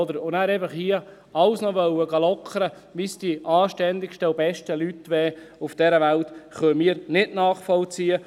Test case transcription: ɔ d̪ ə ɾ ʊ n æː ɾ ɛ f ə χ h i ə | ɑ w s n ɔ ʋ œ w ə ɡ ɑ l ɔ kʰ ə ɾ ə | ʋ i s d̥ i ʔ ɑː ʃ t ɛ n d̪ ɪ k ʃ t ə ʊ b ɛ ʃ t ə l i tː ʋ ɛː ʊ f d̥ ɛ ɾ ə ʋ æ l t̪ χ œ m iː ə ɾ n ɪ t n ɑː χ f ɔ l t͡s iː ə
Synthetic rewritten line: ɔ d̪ ə ɾ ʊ n æː ɾ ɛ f ə χ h i ə | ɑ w s n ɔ ʋ œ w ə ɡ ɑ l ɔ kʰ ə ɾ ə | ʋ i s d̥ i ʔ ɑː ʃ t ɛ n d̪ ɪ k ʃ t ə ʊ b ɛ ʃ t ə l y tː ʋ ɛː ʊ f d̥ ɛ ɾ ə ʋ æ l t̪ χ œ m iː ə ɾ n ɪ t n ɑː χ f ɔ l t͡s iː ə